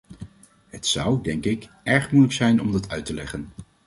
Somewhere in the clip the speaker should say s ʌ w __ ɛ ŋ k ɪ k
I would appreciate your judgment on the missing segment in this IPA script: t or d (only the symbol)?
d